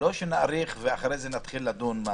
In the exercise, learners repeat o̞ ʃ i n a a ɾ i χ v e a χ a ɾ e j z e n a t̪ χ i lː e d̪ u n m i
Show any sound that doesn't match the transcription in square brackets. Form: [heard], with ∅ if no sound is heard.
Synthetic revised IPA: o̞ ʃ [e] n a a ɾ i χ v e a χ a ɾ e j z e n a t̪ χ i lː [a] d̪ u n m [a]